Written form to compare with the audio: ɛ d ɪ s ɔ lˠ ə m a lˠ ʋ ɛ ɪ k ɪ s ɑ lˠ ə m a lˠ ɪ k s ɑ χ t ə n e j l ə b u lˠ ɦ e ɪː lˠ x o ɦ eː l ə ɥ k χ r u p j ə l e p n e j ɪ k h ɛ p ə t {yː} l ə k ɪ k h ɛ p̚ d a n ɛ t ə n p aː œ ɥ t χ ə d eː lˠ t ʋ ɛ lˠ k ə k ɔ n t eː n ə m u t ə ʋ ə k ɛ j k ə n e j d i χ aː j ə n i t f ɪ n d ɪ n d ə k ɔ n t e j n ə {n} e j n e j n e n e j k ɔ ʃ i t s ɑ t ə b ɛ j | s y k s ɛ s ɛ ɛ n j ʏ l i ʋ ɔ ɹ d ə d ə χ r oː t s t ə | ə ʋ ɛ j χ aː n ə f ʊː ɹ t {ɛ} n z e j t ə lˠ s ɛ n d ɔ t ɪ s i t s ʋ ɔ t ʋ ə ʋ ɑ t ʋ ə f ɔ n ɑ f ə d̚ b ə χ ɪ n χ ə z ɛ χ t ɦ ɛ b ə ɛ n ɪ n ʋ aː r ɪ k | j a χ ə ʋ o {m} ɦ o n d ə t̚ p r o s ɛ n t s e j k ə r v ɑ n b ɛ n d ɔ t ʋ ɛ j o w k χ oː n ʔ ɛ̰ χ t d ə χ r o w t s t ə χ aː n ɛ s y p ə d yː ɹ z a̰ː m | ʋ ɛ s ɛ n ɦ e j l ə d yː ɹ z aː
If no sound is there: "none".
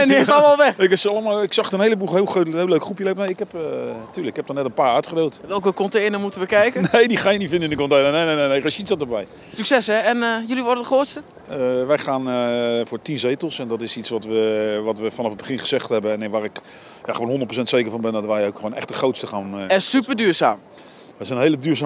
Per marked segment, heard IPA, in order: yː, n, i, n

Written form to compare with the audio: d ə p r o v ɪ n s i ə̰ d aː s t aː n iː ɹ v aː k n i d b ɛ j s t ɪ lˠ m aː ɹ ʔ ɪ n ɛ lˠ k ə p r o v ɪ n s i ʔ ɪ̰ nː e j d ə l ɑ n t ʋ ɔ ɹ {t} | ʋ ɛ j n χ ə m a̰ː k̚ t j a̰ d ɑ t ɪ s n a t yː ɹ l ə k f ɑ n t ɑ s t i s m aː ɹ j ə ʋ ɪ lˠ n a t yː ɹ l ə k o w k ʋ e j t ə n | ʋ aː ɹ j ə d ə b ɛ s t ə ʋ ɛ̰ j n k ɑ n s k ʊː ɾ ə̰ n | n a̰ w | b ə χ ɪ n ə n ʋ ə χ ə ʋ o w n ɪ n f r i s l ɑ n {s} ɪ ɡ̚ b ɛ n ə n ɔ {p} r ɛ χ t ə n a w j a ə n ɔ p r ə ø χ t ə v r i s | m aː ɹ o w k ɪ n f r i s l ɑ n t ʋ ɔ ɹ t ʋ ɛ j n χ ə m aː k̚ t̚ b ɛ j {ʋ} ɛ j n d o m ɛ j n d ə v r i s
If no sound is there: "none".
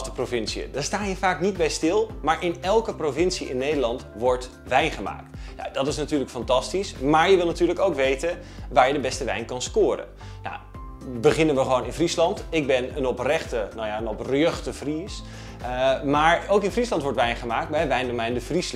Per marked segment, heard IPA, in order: t, t, p, ʋ

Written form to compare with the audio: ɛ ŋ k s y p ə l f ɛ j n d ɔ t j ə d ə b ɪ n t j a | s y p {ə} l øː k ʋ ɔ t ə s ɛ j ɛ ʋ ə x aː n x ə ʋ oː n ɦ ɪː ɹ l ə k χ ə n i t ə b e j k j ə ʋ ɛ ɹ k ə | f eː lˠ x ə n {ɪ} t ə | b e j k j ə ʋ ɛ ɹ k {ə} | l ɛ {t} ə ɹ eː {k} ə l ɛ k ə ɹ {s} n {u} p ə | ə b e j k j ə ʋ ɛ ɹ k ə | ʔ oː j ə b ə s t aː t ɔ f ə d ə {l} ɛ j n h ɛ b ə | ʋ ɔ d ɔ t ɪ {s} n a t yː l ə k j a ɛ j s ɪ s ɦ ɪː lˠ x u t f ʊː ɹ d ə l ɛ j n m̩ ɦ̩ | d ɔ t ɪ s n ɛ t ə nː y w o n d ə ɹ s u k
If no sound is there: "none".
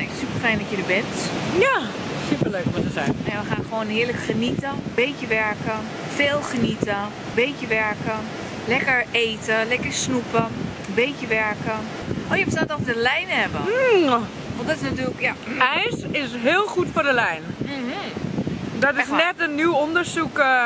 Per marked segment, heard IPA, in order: ə, i, ə, k, t, s, u, l, s

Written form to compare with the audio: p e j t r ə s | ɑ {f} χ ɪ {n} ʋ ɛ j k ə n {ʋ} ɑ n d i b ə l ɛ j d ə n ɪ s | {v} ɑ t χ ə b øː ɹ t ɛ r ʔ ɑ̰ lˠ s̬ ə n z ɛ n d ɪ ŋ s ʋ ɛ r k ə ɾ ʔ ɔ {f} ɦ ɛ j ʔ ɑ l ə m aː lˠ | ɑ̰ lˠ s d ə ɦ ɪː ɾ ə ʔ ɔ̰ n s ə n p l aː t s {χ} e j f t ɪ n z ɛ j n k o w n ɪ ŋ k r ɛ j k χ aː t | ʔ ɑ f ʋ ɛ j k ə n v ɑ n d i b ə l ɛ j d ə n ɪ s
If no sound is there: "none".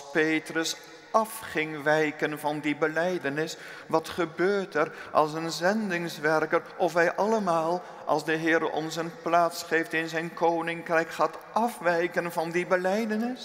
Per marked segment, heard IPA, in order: f, ŋ, v, ʋ, f, χ

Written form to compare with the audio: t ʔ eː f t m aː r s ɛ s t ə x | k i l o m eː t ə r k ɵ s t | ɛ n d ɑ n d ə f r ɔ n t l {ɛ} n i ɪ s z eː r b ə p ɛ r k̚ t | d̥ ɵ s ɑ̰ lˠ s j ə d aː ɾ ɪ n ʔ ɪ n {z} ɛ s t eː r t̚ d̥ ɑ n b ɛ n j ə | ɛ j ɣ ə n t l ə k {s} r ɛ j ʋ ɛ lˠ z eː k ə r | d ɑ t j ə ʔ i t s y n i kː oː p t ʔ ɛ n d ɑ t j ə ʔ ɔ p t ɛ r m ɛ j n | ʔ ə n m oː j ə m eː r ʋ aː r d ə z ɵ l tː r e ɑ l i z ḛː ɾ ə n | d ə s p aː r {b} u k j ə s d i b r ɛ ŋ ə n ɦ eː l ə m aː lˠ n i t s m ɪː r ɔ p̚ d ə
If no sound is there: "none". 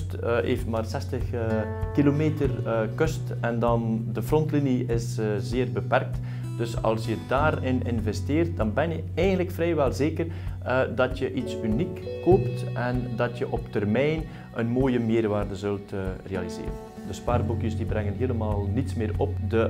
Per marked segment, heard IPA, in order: i, v, f, b

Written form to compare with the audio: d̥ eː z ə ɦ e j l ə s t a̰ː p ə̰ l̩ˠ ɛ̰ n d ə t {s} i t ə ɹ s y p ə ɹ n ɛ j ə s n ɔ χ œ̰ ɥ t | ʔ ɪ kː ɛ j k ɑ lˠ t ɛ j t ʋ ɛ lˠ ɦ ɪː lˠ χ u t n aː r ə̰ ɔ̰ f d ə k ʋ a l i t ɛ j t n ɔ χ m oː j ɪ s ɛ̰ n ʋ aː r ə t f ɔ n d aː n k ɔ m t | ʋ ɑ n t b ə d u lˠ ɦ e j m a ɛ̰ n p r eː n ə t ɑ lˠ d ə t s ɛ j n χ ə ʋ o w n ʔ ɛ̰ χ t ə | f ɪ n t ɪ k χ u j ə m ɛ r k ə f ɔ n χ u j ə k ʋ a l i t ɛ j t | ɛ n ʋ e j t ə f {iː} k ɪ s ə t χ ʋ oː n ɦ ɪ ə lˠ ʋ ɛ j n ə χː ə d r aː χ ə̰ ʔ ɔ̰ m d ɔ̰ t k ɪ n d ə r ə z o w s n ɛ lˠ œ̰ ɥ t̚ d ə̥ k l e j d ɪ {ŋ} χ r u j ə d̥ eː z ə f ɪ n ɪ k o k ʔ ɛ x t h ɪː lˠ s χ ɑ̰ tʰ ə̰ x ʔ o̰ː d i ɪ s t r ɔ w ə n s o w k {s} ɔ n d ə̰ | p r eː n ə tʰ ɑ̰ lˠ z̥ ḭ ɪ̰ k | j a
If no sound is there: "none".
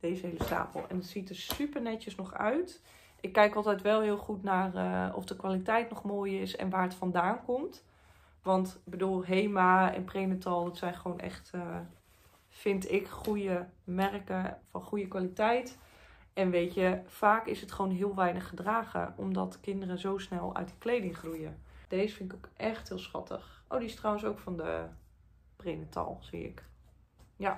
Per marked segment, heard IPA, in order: s, aː, ŋ, f

